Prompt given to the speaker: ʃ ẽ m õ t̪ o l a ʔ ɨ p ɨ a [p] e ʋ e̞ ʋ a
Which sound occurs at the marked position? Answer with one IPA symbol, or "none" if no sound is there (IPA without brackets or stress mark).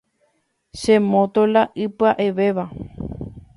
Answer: ʔ